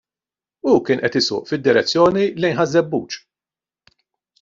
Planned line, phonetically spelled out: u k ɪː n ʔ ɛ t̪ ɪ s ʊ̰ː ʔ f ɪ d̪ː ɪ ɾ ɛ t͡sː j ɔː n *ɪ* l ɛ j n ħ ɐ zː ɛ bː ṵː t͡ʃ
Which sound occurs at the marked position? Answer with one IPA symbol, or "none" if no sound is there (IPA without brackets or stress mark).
i